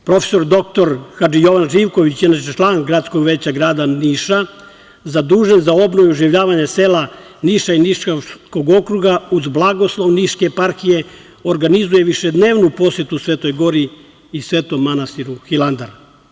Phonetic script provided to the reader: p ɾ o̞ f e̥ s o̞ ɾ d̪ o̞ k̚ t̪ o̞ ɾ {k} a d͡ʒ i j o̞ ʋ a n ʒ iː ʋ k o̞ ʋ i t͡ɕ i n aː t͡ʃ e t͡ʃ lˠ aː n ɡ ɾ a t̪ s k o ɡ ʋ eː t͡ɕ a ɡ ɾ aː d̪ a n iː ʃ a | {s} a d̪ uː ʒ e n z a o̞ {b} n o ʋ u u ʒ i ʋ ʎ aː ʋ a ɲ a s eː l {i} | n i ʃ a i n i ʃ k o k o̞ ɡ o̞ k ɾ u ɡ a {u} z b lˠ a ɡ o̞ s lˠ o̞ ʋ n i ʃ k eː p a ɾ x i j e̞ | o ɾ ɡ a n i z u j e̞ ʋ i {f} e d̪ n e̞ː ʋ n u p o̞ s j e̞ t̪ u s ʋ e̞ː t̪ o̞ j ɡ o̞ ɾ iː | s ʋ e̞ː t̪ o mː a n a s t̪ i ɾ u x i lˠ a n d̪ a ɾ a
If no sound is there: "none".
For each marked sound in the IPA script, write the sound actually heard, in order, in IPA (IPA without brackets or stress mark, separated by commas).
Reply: x, z, b, a, u, ʃ